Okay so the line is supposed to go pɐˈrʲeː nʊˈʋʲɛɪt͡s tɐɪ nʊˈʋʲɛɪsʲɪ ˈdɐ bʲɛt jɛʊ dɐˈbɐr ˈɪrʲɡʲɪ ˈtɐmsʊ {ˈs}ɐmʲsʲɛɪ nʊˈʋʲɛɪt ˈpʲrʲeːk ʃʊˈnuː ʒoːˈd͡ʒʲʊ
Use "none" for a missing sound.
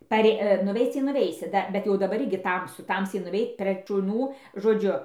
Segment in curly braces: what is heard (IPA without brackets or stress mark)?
t